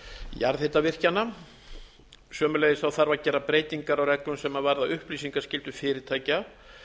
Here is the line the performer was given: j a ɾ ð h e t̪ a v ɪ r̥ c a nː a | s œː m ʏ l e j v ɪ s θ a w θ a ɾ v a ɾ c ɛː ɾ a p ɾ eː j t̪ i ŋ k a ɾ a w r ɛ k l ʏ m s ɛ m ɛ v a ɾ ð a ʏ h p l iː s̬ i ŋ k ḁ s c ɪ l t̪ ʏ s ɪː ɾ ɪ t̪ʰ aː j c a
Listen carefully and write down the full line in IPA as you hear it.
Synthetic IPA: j a ɾ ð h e t̪ a v ɪ r̥ c a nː a | s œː m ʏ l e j ð ɪ s θ a w θ a ɾ v a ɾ c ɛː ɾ a p ɾ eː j t̪ i ŋ k a ɾ a w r ɛ k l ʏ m s ɛ m a v a ɾ ð a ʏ h p l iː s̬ i ŋ k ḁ s c ɪ l t̪ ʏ f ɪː ɾ ɪ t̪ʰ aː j c a